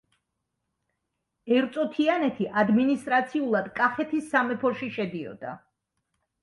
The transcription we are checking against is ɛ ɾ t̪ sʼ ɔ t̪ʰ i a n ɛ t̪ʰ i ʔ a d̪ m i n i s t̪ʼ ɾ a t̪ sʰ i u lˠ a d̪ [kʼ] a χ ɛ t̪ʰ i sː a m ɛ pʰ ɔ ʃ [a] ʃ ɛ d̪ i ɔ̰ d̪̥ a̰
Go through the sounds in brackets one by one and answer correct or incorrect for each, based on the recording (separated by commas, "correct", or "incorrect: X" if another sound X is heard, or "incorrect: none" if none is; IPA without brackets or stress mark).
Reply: correct, incorrect: i